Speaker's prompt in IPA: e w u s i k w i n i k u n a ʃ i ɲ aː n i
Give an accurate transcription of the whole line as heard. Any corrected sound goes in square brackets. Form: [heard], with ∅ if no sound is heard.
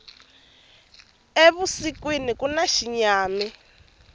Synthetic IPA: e [β] u s i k w i n i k u n a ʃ i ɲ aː [m] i